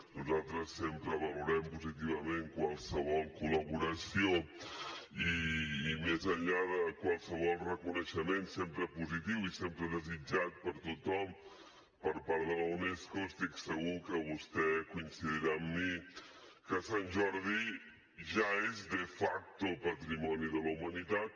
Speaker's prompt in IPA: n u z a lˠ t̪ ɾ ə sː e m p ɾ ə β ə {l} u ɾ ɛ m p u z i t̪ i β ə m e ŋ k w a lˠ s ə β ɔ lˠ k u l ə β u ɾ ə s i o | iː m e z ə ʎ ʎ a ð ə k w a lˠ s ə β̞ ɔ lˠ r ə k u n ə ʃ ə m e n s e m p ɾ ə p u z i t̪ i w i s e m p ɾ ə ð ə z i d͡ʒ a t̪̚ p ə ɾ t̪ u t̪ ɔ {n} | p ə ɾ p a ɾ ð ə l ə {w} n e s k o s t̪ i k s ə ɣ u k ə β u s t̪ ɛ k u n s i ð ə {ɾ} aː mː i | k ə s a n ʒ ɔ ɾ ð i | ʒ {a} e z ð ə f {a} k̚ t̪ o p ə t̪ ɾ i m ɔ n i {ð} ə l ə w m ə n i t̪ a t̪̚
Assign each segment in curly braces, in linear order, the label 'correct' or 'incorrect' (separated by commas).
correct, incorrect, correct, correct, correct, correct, correct